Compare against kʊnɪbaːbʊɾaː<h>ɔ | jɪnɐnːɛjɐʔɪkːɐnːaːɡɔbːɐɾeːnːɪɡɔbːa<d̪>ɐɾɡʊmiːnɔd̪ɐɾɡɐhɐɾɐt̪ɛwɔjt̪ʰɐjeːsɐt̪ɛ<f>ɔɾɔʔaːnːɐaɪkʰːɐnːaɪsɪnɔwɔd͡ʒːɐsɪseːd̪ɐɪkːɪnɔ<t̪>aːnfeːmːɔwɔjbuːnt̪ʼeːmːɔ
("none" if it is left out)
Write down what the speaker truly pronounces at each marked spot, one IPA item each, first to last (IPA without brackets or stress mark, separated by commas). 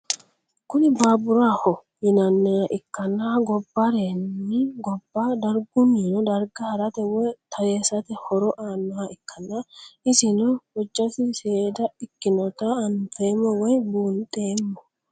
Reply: h, d̪, h, t̪